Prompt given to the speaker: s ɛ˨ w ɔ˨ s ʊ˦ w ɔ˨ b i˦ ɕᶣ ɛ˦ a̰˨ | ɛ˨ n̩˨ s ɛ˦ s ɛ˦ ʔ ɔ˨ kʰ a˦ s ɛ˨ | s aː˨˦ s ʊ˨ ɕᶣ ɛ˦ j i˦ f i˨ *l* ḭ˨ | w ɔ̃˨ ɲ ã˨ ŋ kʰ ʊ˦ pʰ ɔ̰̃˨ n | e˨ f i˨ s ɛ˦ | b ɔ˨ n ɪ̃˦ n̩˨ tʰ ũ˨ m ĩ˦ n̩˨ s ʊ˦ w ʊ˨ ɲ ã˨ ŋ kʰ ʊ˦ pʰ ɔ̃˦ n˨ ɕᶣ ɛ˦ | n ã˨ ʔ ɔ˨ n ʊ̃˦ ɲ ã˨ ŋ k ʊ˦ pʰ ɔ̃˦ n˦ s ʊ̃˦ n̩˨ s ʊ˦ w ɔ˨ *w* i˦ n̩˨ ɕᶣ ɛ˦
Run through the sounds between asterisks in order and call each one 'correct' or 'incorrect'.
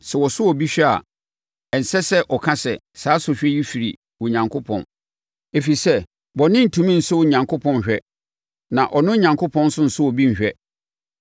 incorrect: ɾ, incorrect: b

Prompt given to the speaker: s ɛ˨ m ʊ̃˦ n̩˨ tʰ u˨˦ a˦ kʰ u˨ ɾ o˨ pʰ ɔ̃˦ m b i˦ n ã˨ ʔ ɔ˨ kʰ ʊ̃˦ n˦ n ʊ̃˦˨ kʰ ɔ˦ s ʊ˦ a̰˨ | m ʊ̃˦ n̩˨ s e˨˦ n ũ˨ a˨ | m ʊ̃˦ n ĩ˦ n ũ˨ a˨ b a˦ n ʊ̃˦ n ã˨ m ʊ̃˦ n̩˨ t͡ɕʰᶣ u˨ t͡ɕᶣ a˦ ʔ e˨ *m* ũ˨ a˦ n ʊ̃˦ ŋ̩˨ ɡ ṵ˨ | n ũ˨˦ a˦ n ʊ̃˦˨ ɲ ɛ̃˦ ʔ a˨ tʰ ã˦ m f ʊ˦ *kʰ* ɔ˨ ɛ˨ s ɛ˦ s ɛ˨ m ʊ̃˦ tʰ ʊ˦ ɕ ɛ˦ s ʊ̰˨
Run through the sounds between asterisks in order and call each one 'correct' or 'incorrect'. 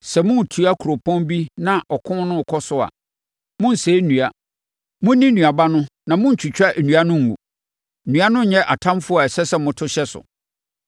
incorrect: n, incorrect: none

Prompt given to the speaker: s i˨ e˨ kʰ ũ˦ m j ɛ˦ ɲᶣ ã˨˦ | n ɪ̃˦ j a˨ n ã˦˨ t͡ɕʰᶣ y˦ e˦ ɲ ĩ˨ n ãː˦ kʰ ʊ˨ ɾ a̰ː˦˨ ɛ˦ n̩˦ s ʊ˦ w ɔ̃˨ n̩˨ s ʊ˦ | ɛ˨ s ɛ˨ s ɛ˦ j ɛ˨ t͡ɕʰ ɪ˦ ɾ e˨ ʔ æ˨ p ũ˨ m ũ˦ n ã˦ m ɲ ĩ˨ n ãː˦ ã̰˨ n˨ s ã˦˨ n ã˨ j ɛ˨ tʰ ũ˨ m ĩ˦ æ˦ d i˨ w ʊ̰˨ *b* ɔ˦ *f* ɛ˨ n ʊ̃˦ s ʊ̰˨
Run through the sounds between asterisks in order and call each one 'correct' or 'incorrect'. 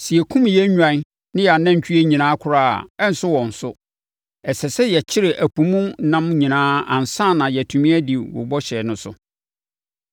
correct, incorrect: ɕ

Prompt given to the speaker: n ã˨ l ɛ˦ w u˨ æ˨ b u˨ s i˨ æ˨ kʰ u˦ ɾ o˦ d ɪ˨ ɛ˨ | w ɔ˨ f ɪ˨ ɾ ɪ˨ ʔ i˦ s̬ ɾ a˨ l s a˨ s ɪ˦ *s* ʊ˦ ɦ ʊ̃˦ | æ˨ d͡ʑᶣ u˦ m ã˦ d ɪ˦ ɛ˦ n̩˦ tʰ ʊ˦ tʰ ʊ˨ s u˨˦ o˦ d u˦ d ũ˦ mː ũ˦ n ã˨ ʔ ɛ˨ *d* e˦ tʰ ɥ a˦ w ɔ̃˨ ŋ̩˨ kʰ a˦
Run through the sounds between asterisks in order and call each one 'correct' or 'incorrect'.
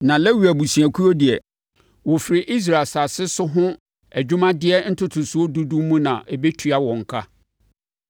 correct, incorrect: b

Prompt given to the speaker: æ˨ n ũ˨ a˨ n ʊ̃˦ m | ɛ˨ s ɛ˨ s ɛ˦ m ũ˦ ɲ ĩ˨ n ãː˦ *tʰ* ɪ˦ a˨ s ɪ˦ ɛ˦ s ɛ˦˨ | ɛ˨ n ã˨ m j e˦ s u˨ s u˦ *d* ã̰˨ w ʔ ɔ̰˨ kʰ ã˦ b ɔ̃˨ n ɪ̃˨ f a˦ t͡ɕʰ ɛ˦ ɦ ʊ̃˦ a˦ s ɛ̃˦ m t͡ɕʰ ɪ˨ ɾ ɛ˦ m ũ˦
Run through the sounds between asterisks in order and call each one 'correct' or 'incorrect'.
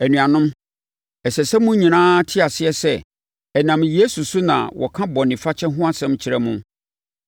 correct, incorrect: n

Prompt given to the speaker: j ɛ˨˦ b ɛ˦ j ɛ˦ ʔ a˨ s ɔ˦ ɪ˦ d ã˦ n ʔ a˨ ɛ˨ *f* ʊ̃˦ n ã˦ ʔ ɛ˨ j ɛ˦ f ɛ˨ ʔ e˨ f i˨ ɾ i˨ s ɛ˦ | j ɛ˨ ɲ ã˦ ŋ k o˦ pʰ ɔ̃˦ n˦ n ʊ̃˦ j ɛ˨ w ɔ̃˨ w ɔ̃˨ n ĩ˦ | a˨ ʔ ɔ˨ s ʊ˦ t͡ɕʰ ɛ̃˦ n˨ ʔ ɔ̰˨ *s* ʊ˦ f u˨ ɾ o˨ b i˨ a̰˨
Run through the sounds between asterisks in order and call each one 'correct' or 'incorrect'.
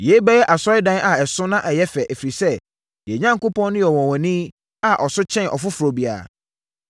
incorrect: s, incorrect: f

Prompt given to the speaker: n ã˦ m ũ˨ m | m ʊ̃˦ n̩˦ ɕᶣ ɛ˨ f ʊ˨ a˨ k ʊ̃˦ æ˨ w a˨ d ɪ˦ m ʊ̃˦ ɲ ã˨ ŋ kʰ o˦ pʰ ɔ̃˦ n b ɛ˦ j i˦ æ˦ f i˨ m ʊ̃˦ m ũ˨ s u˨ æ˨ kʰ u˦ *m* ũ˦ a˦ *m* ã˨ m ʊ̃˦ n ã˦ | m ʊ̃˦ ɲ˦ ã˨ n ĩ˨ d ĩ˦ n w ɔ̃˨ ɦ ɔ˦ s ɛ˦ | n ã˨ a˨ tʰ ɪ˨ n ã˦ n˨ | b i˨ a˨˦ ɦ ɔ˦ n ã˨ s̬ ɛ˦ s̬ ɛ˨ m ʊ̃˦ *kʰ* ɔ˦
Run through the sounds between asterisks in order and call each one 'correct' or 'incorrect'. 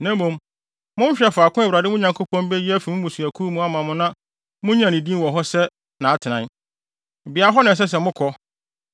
correct, correct, correct

